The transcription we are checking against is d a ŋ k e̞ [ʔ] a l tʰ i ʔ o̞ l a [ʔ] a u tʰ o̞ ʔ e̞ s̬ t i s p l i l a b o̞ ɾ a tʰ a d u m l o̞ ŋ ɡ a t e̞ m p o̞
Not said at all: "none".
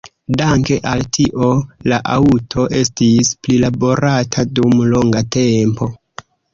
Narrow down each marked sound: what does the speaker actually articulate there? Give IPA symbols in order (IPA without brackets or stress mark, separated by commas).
ʔ, ʔ